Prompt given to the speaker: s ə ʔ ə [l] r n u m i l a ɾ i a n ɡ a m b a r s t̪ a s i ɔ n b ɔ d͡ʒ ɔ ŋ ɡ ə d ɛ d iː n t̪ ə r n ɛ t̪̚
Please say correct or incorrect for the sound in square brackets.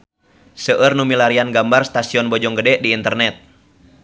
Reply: incorrect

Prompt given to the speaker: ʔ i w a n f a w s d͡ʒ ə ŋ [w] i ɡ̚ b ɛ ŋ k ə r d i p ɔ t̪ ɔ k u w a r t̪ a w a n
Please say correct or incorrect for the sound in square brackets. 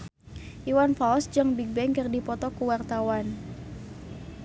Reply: incorrect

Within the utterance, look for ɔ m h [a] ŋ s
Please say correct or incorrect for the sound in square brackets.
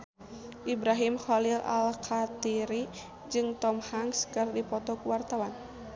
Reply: correct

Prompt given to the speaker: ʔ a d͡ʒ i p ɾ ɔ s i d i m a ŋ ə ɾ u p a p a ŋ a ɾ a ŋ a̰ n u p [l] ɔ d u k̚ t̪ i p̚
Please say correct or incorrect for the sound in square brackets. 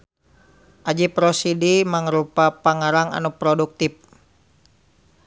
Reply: incorrect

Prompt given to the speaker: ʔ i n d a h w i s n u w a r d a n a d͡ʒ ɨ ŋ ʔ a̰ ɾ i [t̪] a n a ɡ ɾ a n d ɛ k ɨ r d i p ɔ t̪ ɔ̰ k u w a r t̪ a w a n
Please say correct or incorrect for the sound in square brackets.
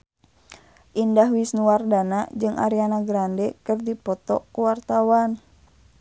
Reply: incorrect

